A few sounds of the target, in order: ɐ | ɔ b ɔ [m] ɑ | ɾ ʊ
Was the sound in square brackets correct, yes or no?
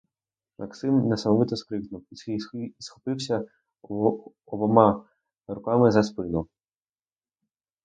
yes